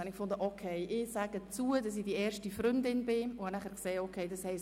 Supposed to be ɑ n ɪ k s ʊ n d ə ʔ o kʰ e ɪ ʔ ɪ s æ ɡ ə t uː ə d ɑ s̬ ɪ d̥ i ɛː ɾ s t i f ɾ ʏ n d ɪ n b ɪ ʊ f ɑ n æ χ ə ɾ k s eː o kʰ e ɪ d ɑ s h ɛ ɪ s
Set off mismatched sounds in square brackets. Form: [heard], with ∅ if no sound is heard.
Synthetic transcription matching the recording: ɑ n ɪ k [f] ʊ n d ə ʔ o kʰ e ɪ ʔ ɪ s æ ɡ ə [t͡s] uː ə d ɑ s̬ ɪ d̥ i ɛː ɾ [ʃ] t i f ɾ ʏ n d ɪ n b ɪ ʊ [h] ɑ n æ χ ə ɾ k s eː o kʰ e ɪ d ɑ s h ɛ ɪ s